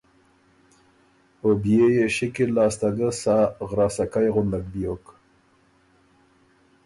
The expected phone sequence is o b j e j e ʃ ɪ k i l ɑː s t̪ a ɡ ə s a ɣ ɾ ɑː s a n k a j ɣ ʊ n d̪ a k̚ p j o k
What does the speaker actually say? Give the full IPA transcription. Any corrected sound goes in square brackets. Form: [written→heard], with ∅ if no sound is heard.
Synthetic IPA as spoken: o b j e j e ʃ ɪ k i l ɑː s t̪ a ɡ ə s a ɣ ɾ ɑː s a [n→∅] k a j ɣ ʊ n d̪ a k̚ [p→b] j o k